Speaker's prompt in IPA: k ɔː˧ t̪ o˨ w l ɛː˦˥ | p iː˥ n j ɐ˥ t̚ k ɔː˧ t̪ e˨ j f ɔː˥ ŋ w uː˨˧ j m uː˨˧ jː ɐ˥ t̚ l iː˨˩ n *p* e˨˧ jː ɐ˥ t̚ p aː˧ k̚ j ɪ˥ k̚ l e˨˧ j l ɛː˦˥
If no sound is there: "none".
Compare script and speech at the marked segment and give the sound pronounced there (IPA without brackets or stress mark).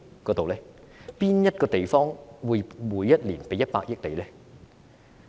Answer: p